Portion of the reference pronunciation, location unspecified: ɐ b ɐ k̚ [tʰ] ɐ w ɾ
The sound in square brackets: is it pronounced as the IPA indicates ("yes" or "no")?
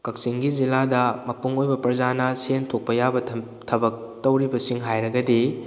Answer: no